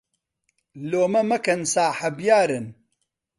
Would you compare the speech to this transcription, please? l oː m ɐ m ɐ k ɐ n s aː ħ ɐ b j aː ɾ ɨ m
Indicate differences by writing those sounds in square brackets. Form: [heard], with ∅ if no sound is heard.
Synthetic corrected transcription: l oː m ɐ m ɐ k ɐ n s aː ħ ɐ b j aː ɾ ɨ [n]